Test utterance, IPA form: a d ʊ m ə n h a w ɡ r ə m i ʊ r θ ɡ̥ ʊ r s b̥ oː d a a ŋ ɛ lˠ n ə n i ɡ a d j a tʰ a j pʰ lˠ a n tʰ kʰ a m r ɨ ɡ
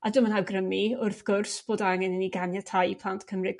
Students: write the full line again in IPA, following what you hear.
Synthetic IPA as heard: a d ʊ m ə n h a w ɡ r ə m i ʊ r θ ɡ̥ ʊ r s b̥ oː d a a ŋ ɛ n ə n i ɡ a n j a tʰ a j pʰ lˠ a n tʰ kʰ ə m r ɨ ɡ

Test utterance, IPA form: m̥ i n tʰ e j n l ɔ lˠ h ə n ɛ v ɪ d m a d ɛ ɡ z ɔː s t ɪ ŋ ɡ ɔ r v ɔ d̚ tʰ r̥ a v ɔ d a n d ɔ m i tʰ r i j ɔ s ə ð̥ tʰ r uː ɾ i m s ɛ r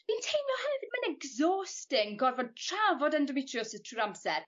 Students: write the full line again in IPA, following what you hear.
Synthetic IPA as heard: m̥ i n tʰ e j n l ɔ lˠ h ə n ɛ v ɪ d m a n ɛ ɡ z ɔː s t ɪ ŋ ɡ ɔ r v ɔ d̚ tʰ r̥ a v ɔ d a n d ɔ m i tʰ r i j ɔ s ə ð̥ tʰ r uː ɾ a m s ɛ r

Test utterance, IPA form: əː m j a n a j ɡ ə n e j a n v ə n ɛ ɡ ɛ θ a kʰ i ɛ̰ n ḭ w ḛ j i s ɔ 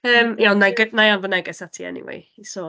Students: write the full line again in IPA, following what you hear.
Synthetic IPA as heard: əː m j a n a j ɡ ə n a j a n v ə n ɛ ɡ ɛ s a tʰ i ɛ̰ n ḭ w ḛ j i s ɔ

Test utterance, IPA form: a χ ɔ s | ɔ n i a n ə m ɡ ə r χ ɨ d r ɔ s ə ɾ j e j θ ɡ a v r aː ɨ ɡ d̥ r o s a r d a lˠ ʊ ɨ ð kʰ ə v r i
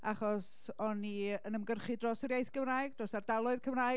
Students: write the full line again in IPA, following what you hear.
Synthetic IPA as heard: a χ ɔ s | ɔ n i ə n ə m ɡ ə r χ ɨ d r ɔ s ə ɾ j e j θ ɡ ə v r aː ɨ ɡ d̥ r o s a r d a lˠ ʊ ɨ ð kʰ ə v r a

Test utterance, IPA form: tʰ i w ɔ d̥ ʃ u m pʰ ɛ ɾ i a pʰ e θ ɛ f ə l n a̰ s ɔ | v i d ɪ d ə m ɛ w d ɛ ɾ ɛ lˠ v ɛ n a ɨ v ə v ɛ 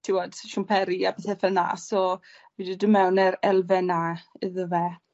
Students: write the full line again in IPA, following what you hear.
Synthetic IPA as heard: tʰ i w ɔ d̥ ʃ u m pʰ ɛ ɾ i a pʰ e θ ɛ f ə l n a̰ s ɔ | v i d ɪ d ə m ɛ w n ɛ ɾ ɛ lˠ v ɛ n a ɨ ð ə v ɛ

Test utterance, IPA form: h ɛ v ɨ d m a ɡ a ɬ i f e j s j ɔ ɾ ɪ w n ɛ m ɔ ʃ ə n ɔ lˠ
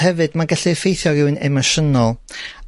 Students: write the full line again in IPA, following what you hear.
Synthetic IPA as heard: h ɛ v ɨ d m a ɡ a ɬ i f e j θ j ɔ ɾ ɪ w n ɛ m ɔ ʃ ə n ɔ lˠ

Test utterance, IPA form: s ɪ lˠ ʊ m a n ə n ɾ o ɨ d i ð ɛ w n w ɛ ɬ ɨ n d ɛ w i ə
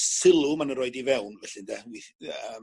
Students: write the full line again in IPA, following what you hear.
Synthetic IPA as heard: s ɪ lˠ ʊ m a n ə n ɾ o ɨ d i v ɛ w n v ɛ ɬ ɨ n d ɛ w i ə

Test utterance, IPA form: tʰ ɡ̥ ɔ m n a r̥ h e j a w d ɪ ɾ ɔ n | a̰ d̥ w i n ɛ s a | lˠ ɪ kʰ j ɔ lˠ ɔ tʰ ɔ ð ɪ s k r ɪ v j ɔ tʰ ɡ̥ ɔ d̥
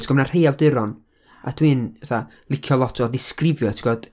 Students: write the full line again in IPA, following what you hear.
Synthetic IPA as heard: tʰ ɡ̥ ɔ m n a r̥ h e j a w d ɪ ɾ ɔ n | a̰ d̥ w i n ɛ θ a | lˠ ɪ kʰ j ɔ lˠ ɔ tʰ ɔ ð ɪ s k r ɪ v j ɔ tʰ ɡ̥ ɔ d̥

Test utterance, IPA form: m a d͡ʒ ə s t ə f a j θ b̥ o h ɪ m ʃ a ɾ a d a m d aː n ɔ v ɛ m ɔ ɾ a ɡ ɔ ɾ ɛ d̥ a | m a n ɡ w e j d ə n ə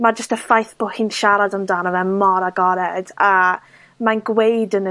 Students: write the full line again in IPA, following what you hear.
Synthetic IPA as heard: m a d͡ʒ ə s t ə f a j θ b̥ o h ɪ n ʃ a ɾ a d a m d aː n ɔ v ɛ m ɔ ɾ a ɡ ɔ ɾ ɛ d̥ a | m a n ɡ w e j d ə n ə

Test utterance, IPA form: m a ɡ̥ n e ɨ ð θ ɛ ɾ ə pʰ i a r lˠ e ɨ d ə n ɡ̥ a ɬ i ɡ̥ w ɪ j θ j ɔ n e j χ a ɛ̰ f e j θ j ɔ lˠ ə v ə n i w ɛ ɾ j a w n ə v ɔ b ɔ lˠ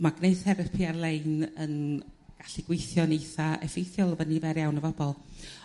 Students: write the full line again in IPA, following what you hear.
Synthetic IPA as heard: m a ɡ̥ n e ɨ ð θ ɛ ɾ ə pʰ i a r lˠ e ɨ n ə n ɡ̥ a ɬ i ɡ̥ w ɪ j θ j ɔ n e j θ a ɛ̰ f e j θ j ɔ lˠ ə v ə n i v ɛ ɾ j a w n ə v ɔ b ɔ lˠ

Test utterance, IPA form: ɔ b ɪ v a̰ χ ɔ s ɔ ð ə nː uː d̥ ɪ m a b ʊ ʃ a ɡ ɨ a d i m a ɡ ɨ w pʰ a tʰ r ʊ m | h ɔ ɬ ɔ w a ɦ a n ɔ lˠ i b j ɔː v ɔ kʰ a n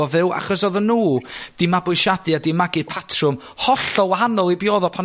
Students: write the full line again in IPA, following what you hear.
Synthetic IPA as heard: ɔ v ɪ w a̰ χ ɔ s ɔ ð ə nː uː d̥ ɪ m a b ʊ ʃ a d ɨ a d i m a ɡ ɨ pʰ a tʰ r ʊ m | h ɔ ɬ ɔ w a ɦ a n ɔ lˠ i b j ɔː ð ɔ pʰ a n

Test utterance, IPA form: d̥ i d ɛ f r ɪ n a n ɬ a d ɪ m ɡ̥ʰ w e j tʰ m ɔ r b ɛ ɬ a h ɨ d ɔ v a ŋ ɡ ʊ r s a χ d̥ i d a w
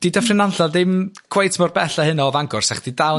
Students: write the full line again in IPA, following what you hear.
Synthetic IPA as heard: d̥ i d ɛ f r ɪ n a n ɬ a d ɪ m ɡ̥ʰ w e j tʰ m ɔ r b ɛ ɬ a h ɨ n ɔ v a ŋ ɡ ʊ r s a χ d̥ i d a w

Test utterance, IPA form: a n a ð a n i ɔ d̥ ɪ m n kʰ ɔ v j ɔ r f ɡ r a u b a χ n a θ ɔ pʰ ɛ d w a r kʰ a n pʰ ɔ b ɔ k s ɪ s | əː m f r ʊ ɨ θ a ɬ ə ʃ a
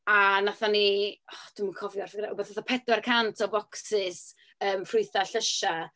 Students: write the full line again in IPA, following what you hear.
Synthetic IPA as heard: a n a θ a n i ɔ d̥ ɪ m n kʰ ɔ v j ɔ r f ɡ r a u b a θ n a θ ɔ pʰ ɛ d w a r kʰ a n tʰ ɔ b ɔ k s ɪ s | əː m f r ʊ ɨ θ a ɬ ə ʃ a

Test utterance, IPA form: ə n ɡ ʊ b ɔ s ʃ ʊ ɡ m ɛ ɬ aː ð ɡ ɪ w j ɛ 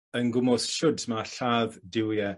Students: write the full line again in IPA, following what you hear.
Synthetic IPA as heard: ə n ɡ ʊ m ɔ s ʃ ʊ d m a ɬ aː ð d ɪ w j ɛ

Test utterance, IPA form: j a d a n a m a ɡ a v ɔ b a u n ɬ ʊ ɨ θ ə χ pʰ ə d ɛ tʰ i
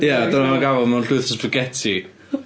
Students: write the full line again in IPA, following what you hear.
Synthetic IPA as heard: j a d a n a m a ɡ a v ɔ m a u n ɬ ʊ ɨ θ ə s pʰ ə ɡ ɛ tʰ i

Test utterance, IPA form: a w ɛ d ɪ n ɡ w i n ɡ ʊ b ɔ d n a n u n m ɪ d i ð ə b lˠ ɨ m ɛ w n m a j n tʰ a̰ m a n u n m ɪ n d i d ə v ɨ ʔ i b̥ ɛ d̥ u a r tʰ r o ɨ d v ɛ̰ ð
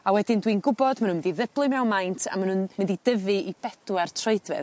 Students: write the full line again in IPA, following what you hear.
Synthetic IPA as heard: a w ɛ d ɪ n d w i n ɡ ʊ b ɔ d m a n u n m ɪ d i ð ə b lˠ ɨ m ɛ w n m a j n tʰ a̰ m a n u n m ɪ n d i d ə v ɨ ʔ i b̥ ɛ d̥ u a r tʰ r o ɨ d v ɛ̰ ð

